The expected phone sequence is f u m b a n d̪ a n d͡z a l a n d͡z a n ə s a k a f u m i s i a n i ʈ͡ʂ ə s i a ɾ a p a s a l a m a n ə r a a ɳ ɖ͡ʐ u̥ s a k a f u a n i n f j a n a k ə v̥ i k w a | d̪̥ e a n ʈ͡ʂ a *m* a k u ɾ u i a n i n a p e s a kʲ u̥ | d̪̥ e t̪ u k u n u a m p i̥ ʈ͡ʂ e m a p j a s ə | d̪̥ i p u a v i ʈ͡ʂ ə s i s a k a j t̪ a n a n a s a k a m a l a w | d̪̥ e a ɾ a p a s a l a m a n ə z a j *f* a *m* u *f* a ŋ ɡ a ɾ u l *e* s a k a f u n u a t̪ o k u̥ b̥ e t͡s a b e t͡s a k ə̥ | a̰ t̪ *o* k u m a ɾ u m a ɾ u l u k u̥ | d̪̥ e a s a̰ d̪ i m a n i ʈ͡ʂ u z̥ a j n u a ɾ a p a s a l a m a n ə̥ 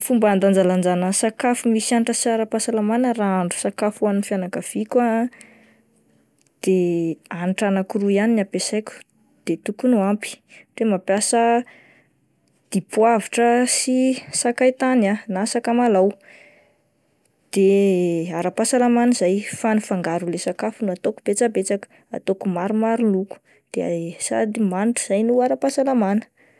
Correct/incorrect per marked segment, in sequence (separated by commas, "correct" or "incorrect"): incorrect, correct, incorrect, correct, correct, correct